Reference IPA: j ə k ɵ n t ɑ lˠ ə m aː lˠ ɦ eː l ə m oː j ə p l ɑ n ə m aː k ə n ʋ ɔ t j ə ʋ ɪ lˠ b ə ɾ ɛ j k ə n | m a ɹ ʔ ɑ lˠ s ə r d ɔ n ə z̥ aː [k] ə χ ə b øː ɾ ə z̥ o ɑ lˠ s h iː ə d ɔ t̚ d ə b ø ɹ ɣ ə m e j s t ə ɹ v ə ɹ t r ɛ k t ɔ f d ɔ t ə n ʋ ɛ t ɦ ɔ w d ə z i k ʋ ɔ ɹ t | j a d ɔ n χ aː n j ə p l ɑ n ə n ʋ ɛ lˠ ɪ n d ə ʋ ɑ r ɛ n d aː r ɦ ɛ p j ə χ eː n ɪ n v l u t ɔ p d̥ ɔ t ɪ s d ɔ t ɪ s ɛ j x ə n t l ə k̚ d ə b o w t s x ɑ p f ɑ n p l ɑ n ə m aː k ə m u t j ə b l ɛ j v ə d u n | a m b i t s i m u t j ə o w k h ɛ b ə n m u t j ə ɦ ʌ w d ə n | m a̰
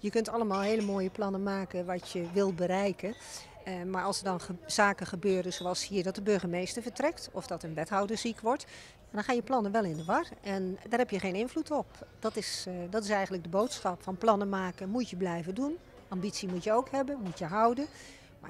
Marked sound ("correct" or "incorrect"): correct